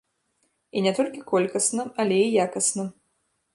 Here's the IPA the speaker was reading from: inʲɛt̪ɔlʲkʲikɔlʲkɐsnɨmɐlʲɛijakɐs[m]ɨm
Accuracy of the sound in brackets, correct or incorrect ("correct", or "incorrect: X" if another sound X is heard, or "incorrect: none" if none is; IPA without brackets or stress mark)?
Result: incorrect: n